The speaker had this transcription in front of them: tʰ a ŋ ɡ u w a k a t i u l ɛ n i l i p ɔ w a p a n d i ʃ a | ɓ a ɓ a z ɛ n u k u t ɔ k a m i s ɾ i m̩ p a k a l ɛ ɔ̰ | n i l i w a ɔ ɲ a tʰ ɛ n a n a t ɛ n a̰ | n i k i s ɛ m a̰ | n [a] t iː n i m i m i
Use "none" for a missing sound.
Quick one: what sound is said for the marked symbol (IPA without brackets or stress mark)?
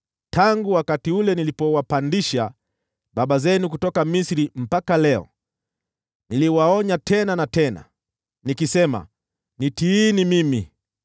i